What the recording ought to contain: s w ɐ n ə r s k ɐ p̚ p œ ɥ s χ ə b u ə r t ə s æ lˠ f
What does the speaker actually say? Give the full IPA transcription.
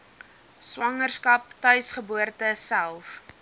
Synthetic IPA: s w ɐ ŋ ə r s k ɐ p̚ t œ ɥ s χ ə b u ə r t ə s æ lˠ f

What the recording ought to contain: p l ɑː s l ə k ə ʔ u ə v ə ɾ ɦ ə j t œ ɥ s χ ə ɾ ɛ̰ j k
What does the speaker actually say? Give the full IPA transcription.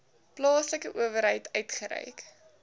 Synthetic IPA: p l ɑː s l ə k ə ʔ u ə v ə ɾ ɦ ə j t œ ɥ t χ ə ɾ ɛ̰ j k

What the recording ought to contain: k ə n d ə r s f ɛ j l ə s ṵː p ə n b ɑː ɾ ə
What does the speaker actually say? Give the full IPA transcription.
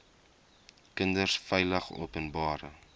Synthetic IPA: k ə n d ə r s f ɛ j l ə χ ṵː p ə n b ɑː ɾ ə

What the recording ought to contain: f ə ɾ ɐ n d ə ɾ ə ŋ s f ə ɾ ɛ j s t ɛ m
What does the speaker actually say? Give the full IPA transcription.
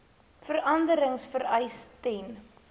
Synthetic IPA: f ə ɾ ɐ n d ə ɾ ə ŋ s f ə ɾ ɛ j s t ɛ n

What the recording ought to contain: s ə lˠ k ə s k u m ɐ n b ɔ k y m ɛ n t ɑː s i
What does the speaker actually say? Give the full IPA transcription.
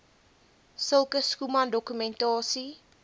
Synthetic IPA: s ə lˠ k ə s k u m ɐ n d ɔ k y m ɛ n t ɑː s i

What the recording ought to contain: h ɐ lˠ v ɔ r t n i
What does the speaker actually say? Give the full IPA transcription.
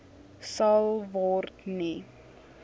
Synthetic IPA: s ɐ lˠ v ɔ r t n i

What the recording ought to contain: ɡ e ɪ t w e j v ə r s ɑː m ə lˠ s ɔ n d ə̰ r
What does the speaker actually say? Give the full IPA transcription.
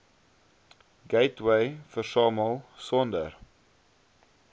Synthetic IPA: ɡ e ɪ t w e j f ə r s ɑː m ə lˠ s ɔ n d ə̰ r

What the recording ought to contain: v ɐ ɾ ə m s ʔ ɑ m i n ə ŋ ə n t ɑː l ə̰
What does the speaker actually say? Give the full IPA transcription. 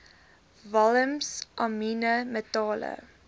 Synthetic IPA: v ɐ l ə m s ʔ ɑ m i n ə m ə t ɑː l ə̰

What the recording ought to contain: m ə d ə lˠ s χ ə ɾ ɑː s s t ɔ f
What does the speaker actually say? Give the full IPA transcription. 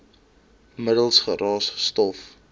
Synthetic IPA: m ə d ə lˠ s χ ə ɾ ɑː s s t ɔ f

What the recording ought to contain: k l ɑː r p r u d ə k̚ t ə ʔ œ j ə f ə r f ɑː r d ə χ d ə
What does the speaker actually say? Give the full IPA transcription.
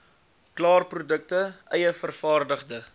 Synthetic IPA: k l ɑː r p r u d ə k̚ t ə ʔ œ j ə f ə r f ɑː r d ə χ d ə

